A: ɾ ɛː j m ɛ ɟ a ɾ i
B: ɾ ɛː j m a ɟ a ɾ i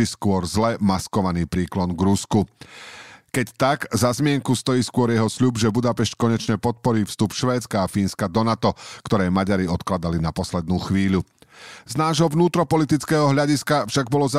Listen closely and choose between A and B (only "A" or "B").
B